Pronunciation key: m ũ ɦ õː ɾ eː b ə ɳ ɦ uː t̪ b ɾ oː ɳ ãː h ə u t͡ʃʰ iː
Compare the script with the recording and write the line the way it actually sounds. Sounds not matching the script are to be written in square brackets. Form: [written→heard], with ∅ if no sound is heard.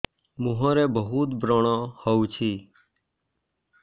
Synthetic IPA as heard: m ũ ɦ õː ɾ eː b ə [ɳ→∅] ɦ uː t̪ b ɾ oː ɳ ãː h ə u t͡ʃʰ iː